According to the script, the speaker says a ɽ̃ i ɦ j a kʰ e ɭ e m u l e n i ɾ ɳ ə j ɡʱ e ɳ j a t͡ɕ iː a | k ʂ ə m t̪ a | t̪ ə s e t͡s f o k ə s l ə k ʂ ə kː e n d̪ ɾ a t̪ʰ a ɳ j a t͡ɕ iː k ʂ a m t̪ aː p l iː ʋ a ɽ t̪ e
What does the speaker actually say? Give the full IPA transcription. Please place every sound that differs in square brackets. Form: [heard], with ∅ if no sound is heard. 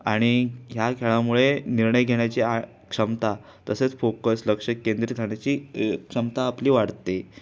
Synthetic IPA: a ɽ̃ i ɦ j a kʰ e ɭ [a] m u [ɭ] e n i ɾ ɳ ə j ɡʱ e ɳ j a t͡ɕ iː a | k ʂ ə m t̪ a | t̪ ə s e t͡s f o k ə s l ə k ʂ ə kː e n d̪ ɾ [i] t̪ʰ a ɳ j a t͡ɕ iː k ʂ [ə] m t̪ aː p l iː ʋ a ɽ t̪ e